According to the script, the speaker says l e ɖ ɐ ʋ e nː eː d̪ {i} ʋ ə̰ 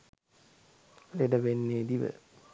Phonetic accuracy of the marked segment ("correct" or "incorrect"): correct